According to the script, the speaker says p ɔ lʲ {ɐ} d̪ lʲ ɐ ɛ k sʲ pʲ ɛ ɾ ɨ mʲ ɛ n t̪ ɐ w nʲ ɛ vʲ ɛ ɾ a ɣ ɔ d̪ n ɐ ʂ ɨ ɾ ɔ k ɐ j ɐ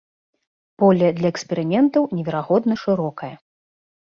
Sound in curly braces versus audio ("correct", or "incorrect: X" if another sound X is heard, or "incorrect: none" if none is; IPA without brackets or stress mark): correct